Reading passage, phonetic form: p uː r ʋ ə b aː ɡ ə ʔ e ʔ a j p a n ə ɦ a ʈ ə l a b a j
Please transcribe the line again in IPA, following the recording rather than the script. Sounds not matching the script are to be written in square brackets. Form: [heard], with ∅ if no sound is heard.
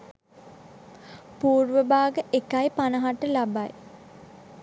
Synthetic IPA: p uː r ʋ ə b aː ɡ ə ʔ e [k] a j p a n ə ɦ a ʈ ə l a b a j

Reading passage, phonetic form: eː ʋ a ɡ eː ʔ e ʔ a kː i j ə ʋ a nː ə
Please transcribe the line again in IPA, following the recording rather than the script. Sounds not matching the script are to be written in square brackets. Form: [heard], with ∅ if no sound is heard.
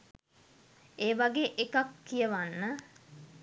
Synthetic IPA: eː ʋ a ɡ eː ʔ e [k] a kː i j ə ʋ a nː ə

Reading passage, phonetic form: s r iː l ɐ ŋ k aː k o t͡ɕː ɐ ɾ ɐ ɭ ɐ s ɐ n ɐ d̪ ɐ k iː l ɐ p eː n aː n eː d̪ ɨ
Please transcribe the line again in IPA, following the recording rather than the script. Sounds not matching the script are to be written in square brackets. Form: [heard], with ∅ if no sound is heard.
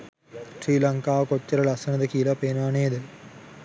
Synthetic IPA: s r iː l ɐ ŋ k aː k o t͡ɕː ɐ ɾ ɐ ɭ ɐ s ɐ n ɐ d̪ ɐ k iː l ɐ p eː n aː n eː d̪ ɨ

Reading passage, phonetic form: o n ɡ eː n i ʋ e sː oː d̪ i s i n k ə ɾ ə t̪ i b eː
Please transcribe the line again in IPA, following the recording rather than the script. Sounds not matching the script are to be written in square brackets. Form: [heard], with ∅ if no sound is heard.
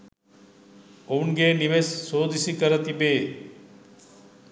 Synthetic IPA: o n ɡ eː n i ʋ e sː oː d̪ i s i [∅] k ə ɾ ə t̪ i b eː

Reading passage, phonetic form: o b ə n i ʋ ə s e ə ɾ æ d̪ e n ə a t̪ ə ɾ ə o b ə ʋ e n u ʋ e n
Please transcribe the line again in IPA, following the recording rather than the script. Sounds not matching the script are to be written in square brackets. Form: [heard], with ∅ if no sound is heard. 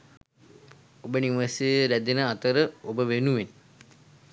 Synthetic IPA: o b ə n i ʋ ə s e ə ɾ æ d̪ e n ə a t̪ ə ɾ ə o b ə ʋ e n u ʋ e n

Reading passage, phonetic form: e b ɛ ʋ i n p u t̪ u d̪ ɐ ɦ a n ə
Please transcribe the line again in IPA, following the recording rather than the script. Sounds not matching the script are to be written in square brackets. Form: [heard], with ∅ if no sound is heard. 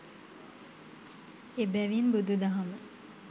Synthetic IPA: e b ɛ ʋ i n [b] u [d̪] u d̪ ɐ ɦ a [m] ə

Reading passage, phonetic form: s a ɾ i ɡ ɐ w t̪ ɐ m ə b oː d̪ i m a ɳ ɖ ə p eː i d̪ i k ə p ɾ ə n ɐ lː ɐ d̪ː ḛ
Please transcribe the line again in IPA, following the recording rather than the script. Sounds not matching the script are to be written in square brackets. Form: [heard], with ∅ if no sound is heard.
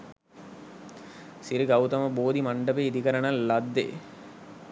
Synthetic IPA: s [i] ɾ i ɡ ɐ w t̪ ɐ m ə b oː d̪ i m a ɳ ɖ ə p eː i d̪ i k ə [∅] ɾ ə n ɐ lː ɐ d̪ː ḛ

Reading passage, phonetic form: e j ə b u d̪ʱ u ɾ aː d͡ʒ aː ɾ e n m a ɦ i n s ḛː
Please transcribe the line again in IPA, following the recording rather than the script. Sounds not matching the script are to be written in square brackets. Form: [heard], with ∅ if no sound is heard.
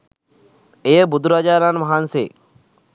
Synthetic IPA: e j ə b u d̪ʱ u ɾ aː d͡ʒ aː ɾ [a] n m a ɦ [a] n s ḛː

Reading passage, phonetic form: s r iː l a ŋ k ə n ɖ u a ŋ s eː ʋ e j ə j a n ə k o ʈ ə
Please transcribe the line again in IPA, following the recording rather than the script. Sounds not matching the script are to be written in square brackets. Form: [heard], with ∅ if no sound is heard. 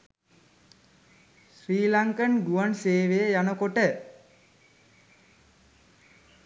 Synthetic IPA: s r iː l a ŋ k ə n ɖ u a [n] s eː ʋ e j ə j a n ə k o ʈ ə

